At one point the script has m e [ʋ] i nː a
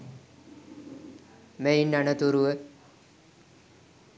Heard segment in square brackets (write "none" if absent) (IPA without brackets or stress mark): none